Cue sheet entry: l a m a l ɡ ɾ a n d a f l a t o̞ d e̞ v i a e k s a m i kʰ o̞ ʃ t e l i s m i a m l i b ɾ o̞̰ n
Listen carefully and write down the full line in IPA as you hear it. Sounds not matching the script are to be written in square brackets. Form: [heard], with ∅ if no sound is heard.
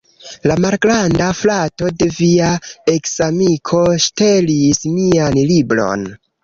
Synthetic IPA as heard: l a m a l ɡ ɾ a n d a f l a t o̞ d e̞ v i a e k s a m i kʰ o̞ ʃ t e l i s m i a [n] l i b ɾ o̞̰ n